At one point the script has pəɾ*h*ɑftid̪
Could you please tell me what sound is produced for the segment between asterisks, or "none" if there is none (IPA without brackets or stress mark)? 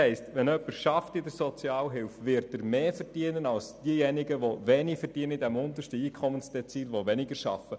ʃ